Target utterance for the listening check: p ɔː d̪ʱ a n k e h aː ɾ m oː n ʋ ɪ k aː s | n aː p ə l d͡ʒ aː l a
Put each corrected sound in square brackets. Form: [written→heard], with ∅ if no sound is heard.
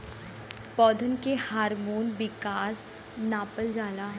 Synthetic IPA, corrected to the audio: p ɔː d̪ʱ [a→ə] n k e h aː ɾ m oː n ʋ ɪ k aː s | n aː p ə l d͡ʒ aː l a